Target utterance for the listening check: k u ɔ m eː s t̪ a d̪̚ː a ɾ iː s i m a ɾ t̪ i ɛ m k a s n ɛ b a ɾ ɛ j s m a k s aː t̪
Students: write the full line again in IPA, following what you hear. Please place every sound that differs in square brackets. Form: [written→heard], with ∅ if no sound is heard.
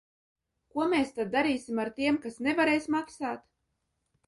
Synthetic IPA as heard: k u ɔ m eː s t̪ a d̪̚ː a ɾ iː s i m a ɾ t̪ i ɛ m k a s n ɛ [b→v] a ɾ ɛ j s m a k s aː t̪